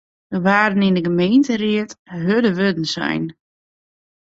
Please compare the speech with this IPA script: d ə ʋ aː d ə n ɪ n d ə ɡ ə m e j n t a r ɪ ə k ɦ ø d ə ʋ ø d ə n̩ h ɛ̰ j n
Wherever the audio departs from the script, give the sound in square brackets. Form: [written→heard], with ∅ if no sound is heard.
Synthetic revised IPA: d ə ʋ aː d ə n ɪ n d ə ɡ ə m e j n t [a→ə] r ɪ ə [k→t] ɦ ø d ə ʋ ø d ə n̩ [h→s] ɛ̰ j n